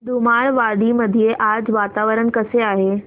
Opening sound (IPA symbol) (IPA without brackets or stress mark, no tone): d̪